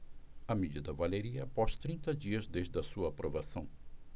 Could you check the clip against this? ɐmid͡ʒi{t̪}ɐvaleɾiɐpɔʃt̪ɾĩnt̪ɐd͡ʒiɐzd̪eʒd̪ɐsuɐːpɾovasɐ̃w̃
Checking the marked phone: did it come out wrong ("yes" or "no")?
yes